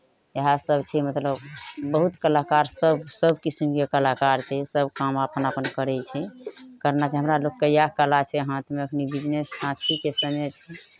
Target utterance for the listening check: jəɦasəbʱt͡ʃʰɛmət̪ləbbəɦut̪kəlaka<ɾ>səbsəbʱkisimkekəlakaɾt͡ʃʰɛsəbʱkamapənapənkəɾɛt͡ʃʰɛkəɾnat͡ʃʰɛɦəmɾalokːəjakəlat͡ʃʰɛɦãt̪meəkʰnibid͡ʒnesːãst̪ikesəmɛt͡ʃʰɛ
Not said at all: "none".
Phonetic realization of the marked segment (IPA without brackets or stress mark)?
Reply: ɾ